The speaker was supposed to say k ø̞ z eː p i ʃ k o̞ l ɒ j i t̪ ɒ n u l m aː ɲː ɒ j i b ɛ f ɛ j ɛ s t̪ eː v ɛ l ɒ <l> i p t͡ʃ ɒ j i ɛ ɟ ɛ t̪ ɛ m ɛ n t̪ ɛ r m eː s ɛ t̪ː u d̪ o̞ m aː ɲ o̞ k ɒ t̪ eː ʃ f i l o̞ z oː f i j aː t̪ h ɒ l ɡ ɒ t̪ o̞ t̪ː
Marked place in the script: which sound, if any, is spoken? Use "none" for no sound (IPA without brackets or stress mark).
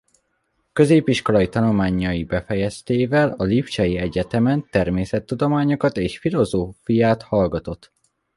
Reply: l